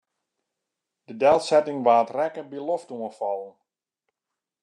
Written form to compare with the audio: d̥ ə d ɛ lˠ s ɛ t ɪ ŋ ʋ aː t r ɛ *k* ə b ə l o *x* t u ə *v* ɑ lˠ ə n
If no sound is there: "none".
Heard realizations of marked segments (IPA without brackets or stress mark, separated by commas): k, f, f